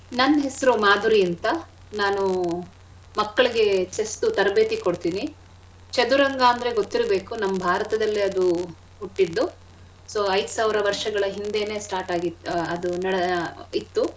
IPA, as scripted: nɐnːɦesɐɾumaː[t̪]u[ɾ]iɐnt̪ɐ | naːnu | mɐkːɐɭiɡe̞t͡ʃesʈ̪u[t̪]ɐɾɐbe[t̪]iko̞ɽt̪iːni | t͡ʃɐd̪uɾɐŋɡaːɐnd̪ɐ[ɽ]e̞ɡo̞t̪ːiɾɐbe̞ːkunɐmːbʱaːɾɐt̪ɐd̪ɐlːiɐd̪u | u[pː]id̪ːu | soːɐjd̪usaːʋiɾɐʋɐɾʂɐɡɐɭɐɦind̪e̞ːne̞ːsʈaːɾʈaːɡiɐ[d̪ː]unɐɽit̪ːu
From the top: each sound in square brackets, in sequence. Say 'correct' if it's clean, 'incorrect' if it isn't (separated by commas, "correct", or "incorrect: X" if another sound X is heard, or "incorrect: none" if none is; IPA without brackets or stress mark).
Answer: incorrect: d̪, correct, correct, correct, incorrect: ɾ, incorrect: ʈː, incorrect: d̪